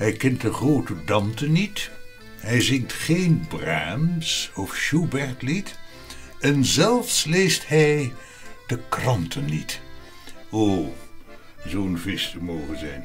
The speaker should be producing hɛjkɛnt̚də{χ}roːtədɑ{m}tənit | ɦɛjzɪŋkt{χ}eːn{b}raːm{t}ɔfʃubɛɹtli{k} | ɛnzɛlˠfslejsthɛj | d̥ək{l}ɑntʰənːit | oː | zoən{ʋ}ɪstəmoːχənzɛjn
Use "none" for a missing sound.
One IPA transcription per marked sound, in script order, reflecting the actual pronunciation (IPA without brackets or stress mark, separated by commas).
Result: χ, m, χ, b, s, t, r, v